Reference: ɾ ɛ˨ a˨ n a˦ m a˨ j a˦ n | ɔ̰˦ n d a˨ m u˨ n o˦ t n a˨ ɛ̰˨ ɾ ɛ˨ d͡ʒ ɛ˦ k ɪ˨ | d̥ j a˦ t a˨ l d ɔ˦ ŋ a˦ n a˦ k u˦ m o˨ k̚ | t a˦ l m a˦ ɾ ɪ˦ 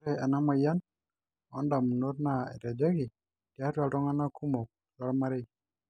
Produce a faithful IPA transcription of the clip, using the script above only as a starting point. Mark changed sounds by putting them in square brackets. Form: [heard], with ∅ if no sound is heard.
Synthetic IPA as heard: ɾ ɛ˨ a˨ n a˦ m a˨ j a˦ n | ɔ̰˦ n d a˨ m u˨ n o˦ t n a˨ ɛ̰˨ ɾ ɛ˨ d͡ʒ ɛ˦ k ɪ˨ | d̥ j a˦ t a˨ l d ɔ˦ ŋ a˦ n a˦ k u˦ m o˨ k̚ | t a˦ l m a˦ ɾ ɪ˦